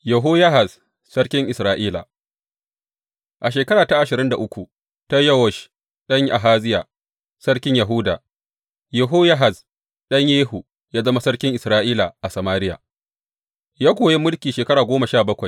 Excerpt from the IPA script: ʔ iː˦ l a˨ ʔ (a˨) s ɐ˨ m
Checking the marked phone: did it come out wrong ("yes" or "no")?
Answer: no